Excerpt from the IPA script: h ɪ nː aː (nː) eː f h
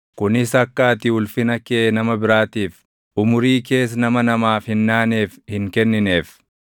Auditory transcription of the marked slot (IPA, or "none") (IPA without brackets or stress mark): n